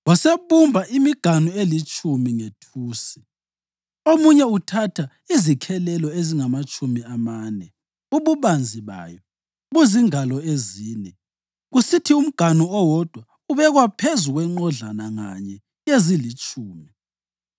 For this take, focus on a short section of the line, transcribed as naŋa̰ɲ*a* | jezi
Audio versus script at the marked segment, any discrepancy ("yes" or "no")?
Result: yes